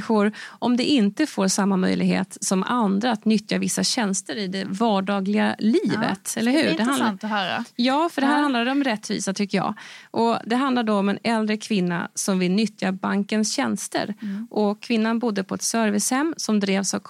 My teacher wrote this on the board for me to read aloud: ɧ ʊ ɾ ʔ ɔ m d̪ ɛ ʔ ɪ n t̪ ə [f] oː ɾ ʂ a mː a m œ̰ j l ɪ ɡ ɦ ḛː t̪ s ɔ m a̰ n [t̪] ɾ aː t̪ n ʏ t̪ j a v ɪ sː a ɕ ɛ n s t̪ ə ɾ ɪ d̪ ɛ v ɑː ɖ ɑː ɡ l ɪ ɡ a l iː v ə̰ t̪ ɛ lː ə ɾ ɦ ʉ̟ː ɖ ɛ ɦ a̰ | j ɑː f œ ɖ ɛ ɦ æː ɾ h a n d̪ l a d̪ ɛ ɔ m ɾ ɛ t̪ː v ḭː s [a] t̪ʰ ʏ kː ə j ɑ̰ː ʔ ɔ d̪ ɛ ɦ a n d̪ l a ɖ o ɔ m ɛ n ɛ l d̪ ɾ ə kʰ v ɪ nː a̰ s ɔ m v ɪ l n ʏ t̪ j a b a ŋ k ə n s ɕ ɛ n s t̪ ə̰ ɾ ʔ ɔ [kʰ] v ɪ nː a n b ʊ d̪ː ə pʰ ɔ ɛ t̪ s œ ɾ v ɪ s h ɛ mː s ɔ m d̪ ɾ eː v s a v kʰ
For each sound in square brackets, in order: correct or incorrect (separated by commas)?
correct, incorrect, correct, correct